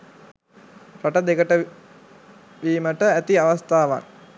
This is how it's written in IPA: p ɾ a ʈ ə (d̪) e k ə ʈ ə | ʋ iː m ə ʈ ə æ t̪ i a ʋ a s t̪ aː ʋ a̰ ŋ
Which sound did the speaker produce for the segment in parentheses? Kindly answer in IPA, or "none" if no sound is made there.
d̪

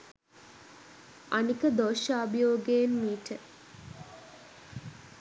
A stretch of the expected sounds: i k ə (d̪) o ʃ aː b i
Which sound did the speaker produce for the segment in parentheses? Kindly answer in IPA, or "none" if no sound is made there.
d̪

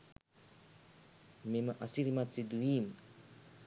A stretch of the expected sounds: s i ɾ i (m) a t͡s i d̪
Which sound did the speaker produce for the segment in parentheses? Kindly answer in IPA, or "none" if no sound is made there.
m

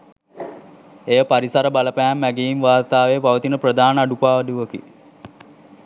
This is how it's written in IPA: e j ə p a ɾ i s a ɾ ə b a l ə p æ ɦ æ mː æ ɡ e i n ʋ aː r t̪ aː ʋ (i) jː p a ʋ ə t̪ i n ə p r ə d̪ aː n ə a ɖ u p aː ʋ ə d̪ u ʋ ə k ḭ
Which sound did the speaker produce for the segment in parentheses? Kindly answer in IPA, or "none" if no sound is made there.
e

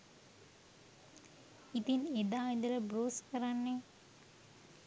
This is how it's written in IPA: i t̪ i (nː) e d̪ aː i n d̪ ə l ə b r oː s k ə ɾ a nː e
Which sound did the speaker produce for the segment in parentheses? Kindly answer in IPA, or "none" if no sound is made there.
n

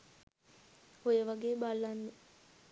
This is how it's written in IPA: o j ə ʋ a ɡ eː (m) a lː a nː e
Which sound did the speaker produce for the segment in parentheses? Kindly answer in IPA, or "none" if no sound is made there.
b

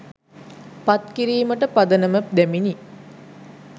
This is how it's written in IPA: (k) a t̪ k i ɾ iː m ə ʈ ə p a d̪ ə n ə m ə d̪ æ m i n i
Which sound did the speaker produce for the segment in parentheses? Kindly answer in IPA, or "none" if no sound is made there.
p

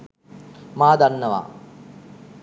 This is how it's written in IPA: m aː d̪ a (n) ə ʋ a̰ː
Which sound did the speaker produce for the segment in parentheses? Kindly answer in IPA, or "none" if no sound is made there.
nː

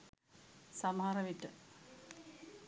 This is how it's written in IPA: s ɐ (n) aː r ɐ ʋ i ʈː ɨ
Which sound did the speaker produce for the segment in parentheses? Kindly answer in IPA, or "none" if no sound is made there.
m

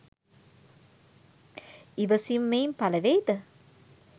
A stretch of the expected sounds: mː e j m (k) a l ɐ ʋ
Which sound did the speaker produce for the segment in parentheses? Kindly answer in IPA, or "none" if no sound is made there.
p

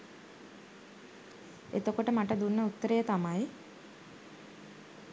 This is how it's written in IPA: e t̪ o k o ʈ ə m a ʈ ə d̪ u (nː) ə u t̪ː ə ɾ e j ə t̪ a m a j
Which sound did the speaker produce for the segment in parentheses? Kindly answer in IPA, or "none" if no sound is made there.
nː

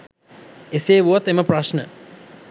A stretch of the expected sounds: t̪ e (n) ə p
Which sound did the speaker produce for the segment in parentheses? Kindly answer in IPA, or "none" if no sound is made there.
m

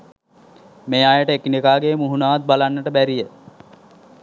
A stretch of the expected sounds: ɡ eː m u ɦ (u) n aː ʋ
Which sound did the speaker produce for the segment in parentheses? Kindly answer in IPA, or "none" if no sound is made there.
u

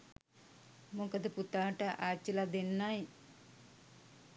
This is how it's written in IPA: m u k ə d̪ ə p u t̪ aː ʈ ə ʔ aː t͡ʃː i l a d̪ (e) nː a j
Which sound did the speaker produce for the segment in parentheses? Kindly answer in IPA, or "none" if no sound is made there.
e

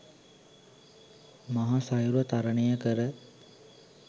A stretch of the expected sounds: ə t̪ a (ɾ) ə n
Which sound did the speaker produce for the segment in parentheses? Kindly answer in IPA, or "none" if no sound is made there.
ɾ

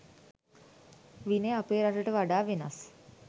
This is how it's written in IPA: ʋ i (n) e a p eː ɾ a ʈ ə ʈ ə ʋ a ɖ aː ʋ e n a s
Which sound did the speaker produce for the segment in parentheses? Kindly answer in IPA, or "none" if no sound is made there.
n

